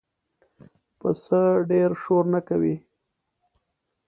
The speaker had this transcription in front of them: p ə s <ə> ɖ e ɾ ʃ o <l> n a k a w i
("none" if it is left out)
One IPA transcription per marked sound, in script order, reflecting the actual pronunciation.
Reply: ə, ɾ

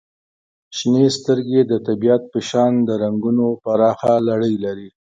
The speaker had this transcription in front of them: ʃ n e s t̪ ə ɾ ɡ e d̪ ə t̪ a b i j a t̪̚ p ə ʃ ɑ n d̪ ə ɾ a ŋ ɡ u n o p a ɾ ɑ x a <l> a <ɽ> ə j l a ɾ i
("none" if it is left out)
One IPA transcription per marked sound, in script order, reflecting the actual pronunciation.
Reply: l, ɽ

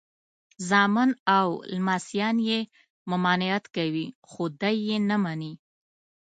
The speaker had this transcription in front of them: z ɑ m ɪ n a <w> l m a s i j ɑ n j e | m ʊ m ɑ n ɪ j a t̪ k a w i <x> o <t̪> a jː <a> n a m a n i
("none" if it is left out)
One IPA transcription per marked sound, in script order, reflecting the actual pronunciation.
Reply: w, x, d̪, e

